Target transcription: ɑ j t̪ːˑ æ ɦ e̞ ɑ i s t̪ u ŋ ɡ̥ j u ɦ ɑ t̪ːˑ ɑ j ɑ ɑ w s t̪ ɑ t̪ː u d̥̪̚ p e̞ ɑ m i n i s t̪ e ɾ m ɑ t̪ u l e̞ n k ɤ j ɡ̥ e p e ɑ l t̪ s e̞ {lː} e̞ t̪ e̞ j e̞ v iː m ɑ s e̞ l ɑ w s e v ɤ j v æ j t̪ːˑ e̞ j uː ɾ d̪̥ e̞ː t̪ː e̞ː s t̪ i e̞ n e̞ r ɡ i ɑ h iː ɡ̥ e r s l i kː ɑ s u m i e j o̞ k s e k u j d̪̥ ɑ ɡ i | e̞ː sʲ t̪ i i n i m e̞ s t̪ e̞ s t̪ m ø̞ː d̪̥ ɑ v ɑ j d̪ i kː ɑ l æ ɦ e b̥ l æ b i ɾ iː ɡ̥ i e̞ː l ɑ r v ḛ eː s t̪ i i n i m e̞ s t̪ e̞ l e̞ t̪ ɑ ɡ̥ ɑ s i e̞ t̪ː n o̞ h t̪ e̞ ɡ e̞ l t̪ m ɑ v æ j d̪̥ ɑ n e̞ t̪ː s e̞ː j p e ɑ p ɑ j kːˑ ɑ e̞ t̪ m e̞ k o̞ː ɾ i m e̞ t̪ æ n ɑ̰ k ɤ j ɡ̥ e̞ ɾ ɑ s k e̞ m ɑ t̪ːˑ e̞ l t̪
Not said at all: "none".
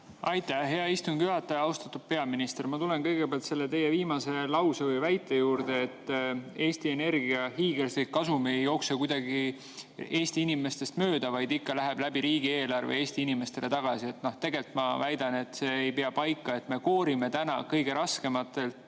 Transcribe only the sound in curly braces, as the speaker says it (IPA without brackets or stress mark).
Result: lː